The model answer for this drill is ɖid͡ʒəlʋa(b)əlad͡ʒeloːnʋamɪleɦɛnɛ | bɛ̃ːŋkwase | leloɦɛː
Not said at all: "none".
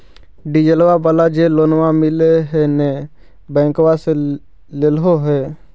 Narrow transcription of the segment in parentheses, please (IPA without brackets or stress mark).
b